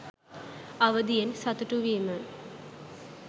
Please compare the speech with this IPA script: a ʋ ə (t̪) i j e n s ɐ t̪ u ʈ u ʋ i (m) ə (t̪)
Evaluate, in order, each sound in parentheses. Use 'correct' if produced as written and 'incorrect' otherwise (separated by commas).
incorrect, correct, incorrect